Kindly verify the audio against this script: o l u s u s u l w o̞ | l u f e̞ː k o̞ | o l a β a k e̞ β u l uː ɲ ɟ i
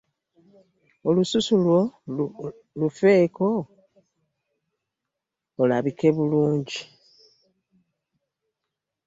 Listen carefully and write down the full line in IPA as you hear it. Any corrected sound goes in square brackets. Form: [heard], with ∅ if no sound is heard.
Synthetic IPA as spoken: o l u s u s u l w o̞ | l u f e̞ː k o̞ | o l a β [i] k e̞ β u l uː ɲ ɟ i